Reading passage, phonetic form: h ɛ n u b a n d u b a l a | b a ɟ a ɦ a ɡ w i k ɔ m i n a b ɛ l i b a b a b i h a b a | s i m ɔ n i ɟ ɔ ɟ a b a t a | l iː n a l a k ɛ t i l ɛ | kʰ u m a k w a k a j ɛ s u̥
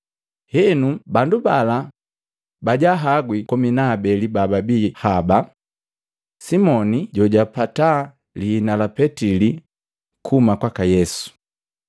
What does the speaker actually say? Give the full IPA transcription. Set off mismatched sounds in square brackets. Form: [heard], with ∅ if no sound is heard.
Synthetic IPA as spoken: h ɛ n u b a n d u b a l a | b a ɟ a ɦ a ɡ w i k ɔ m i n a b ɛ l i b a b a b i h a b a | s i m ɔ n i ɟ ɔ ɟ a [p] a t a | l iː n a l a [p] ɛ t i l [i] | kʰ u m a k w a k a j ɛ s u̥